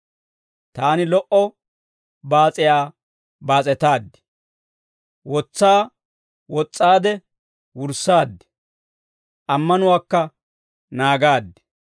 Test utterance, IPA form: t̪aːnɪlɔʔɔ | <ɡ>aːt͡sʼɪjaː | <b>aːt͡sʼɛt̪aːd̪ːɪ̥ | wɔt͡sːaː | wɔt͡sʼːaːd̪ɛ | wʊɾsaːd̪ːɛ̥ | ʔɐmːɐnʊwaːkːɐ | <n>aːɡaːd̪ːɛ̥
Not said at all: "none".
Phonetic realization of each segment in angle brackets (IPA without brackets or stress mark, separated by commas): b, b, n